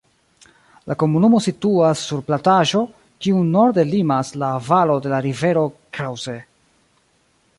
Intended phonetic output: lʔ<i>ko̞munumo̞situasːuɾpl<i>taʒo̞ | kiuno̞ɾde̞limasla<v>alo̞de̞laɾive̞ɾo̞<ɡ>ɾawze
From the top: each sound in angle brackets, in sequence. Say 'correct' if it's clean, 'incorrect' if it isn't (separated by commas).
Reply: incorrect, incorrect, correct, incorrect